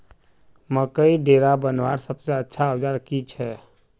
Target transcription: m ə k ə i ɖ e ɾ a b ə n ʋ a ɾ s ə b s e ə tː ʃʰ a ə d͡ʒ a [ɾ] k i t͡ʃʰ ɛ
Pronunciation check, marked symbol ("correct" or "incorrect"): correct